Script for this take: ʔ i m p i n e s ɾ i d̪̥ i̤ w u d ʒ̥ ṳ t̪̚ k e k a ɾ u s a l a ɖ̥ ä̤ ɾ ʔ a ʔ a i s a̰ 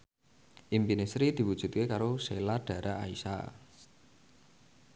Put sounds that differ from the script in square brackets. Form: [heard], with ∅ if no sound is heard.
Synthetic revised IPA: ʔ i m p i n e s ɾ i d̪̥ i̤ w u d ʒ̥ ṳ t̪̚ k e k a ɾ [o] s [e] l a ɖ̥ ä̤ ɾ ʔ a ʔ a i s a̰